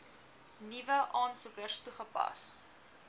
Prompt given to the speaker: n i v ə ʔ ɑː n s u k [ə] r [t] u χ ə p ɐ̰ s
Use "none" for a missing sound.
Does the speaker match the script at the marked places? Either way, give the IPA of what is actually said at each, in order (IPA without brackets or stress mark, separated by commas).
ə, t